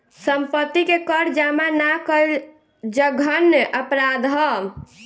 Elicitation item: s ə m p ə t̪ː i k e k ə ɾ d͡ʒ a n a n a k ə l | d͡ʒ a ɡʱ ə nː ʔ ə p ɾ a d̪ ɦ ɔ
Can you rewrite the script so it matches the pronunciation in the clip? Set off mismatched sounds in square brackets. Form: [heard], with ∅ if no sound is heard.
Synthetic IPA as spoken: s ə m p ə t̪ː i k e k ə ɾ d͡ʒ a [m] a n a k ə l | d͡ʒ [ə] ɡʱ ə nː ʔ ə p ɾ a d̪ ɦ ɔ